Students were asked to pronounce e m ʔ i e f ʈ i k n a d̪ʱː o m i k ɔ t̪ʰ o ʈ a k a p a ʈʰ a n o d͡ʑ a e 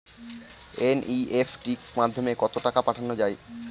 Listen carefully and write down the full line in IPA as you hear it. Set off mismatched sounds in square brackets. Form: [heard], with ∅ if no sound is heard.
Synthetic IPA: e [n] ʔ i e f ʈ i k [m] a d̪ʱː o m [e] k ɔ [t̪] o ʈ a k a p a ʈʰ a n o d͡ʑ a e